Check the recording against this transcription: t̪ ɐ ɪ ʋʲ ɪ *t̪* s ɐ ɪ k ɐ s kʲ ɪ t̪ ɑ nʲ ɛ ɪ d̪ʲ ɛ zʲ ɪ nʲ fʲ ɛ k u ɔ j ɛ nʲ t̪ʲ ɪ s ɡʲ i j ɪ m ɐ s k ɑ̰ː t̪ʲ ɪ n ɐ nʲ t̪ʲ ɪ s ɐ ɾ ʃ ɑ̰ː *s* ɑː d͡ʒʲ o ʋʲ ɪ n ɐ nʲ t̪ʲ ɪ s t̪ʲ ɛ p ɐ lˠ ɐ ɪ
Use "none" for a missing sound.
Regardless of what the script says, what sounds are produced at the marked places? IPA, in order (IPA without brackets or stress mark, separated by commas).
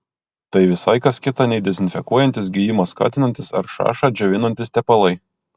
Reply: none, ʃ